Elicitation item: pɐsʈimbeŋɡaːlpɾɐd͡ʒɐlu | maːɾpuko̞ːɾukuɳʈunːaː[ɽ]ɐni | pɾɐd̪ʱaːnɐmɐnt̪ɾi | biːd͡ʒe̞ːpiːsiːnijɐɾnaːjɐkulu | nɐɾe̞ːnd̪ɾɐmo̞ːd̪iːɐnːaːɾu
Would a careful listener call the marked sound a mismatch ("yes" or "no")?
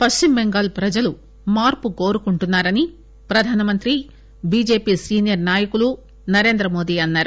yes